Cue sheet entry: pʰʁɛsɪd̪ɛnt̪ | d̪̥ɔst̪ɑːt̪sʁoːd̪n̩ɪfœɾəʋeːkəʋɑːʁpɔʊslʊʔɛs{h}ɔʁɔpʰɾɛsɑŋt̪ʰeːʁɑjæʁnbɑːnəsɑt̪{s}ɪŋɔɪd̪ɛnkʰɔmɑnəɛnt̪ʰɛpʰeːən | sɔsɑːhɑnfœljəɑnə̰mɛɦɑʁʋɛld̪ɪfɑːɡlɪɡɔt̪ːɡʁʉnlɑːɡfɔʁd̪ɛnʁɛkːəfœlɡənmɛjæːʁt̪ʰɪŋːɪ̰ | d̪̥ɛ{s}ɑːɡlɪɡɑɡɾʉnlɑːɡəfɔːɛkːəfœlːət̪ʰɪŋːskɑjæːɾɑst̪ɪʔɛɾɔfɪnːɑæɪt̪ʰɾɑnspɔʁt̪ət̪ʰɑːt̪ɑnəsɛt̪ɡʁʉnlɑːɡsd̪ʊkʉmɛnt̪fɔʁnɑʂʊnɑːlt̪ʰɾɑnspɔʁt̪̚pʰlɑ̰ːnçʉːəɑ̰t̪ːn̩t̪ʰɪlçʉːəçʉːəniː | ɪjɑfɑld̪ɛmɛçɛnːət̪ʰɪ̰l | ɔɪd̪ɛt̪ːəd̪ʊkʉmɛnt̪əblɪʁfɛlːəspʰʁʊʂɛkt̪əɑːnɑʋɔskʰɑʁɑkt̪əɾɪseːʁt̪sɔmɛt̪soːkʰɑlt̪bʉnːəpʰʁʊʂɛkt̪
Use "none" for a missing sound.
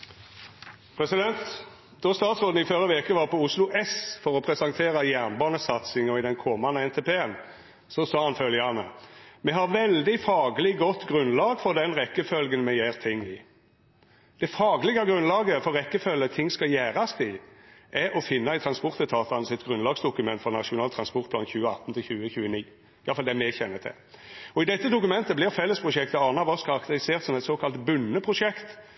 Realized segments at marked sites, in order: f, s, f

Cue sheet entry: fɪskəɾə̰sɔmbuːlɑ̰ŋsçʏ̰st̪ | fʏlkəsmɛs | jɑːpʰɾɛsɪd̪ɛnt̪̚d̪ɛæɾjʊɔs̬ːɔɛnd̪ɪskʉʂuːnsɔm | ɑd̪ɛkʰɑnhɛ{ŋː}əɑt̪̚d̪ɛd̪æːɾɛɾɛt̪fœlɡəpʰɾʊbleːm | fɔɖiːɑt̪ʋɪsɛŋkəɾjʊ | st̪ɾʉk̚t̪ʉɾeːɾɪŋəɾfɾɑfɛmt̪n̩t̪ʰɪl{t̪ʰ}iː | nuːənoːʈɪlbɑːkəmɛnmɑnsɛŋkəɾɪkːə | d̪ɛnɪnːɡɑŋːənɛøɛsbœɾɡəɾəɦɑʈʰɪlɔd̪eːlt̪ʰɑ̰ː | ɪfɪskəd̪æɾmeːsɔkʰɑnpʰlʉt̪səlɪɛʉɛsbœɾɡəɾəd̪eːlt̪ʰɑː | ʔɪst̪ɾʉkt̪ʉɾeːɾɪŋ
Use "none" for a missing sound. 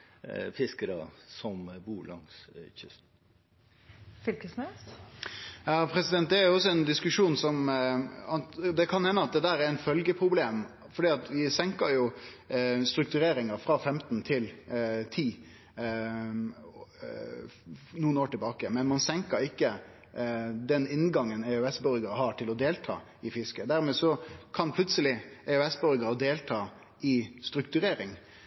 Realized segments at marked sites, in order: nː, t̪ʰ

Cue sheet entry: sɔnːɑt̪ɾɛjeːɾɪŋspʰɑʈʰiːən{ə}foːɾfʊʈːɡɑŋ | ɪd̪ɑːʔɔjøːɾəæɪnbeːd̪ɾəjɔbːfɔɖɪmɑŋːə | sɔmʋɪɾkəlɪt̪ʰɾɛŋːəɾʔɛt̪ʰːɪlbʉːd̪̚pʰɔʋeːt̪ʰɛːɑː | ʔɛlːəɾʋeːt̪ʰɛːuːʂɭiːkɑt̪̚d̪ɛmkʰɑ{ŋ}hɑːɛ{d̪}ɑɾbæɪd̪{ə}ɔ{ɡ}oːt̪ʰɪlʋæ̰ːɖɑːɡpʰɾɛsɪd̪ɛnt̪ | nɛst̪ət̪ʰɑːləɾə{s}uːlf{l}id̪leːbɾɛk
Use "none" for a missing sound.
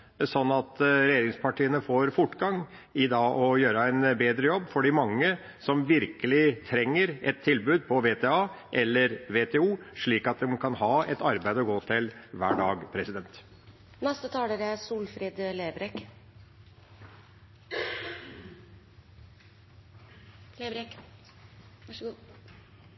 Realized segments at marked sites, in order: ə, n, t̪, ə, ɡ, s, ɾ

